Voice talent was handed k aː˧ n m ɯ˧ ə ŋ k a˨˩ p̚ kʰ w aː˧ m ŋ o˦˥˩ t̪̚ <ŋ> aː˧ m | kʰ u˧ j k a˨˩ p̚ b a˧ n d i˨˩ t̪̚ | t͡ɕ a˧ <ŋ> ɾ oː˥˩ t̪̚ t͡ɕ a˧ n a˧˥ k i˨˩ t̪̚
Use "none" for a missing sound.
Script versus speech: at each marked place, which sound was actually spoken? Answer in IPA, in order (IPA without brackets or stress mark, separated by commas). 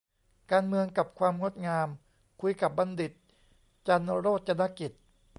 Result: ŋ, n